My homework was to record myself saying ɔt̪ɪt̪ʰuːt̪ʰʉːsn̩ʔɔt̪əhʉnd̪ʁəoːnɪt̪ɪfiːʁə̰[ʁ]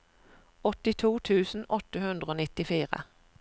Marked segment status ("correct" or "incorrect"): incorrect